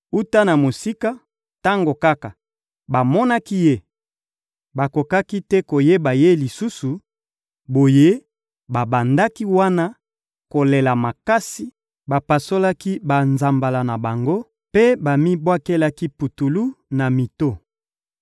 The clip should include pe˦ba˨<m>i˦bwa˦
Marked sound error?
no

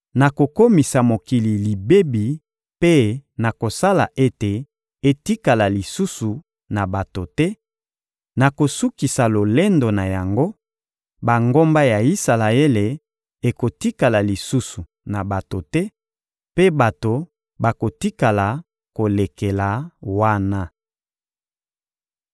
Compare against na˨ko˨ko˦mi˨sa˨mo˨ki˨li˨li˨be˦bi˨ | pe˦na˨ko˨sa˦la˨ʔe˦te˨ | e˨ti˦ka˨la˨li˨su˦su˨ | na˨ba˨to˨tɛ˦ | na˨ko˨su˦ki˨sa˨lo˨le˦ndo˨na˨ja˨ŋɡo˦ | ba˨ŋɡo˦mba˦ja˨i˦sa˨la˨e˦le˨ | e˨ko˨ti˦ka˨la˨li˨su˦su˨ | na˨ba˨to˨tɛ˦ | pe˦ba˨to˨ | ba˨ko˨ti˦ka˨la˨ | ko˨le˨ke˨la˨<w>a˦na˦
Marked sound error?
no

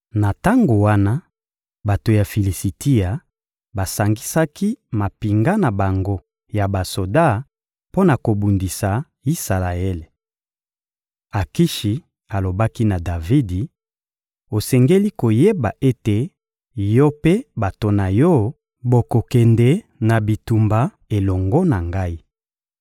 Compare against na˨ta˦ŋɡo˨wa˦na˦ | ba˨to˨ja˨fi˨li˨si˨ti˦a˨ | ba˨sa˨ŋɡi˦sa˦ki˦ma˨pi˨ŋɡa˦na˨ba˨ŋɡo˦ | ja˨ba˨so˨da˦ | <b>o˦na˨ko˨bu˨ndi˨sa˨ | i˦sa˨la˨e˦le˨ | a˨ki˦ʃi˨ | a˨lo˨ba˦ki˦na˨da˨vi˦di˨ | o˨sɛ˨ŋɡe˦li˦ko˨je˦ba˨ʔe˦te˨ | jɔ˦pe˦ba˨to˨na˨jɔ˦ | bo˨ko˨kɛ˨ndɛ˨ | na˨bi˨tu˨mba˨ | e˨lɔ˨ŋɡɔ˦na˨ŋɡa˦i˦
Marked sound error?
yes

